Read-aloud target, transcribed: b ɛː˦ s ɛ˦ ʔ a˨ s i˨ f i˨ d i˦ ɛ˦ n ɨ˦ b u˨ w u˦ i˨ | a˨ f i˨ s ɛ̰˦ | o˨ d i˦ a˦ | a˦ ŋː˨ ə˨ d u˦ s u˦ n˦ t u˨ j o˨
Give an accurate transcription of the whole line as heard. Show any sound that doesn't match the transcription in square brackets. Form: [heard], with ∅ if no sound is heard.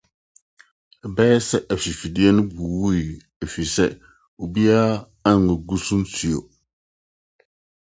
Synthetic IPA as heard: b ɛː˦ s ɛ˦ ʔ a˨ [f] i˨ f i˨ d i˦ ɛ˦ n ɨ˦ b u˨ w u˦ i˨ | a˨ f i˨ s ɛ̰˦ | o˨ [b] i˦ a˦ | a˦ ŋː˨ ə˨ [ɡ] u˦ s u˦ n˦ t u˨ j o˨